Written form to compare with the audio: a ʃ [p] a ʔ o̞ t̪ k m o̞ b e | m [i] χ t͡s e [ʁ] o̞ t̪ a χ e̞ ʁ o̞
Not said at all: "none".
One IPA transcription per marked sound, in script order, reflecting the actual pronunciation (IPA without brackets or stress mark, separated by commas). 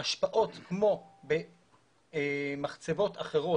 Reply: p, a, v